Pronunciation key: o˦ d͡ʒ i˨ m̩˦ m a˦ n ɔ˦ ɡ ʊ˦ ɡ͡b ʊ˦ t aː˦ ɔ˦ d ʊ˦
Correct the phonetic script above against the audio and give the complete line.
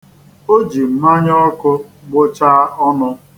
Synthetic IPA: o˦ d͡ʒ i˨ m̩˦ m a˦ ɲ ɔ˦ k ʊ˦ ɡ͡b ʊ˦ t͡ʃ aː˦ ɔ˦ n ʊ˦

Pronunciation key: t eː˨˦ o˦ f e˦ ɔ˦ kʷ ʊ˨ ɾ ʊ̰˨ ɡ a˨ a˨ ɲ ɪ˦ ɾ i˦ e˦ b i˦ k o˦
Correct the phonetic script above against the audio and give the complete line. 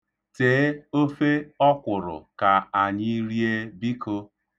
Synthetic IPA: t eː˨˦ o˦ f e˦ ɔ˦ kʷ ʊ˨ ɾ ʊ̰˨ k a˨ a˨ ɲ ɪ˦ ɾ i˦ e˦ b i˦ k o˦

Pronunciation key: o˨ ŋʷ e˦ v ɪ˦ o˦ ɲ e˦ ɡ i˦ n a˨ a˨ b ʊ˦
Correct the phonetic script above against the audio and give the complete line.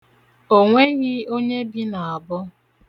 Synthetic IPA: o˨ ŋʷ e˦ ɣ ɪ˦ o˦ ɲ e˦ b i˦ n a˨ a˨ b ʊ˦

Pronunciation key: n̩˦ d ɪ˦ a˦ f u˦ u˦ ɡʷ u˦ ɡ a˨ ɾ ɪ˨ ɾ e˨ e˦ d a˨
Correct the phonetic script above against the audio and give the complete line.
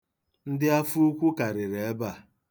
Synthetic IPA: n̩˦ d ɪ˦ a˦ f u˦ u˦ kʷ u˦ k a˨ ɾ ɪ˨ ɾ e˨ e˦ b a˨

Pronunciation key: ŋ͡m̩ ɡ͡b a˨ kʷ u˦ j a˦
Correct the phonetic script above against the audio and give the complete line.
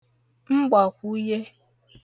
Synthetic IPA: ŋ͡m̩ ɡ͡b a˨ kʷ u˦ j e˦

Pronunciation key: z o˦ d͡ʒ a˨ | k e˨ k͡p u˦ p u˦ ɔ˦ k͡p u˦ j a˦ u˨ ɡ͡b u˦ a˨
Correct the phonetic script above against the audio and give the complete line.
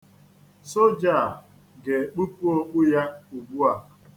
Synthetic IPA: s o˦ d͡ʒ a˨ | ɡ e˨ k͡p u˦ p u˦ o˦ k͡p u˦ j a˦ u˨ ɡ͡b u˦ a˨

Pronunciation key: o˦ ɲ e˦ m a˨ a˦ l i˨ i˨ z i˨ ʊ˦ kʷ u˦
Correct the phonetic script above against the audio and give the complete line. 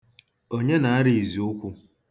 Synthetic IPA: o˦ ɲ e˦ n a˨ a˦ ɾ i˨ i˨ z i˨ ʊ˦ kʷ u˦

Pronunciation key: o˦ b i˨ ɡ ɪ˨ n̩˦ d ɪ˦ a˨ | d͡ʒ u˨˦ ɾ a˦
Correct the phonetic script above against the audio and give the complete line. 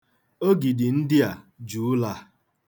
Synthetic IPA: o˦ ɡ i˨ d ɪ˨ n̩˦ d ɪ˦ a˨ | d͡ʒ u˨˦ l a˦

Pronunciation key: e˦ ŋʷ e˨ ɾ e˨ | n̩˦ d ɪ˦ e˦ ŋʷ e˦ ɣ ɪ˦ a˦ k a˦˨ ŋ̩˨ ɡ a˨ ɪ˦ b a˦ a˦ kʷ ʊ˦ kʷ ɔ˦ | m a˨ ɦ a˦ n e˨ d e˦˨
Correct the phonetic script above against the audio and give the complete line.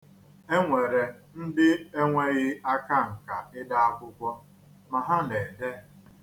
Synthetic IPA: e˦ ŋʷ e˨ ɾ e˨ | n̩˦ d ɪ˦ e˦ ŋʷ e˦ ɣ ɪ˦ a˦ k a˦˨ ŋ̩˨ k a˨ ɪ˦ d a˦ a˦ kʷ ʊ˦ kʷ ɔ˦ | m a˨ ɦ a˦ n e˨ d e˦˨

